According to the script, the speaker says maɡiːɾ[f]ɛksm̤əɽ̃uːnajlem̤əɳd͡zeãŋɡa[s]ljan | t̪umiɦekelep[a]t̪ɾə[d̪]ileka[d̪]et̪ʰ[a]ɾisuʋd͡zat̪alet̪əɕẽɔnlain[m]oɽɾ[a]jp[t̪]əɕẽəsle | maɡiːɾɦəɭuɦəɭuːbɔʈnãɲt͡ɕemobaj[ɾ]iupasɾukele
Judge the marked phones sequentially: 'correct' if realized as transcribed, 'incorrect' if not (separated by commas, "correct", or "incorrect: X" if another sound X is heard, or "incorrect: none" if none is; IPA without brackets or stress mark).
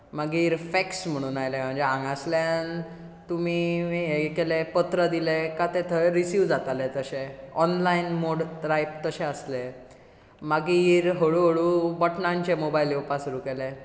correct, correct, incorrect: ə, correct, incorrect: t̪, incorrect: ə, correct, correct, correct, incorrect: l